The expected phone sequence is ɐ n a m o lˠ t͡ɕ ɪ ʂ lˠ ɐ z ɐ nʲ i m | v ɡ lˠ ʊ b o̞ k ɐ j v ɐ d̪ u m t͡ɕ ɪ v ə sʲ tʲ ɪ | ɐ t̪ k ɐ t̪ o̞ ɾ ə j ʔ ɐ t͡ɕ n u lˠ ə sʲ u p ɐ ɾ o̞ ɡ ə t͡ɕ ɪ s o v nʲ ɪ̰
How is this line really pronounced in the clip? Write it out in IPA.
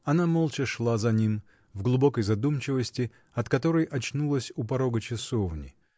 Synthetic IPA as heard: ɐ n a m o lˠ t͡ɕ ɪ ʂ lˠ a z ɐ nʲ i m | v ɡ lˠ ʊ b o̞ k ə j z ɐ d̪ u m t͡ɕ ɪ v ə sʲ tʲ ɪ | ɐ t̪ k ɐ t̪ o̞ ɾ ə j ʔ ɐ t͡ɕ n u lˠ ə sʲ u p ɐ ɾ o̞ ɡ ə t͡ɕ ɪ s o v nʲ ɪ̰